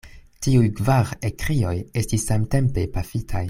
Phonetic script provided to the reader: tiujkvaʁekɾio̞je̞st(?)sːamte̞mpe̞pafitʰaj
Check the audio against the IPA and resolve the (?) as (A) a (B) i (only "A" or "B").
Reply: B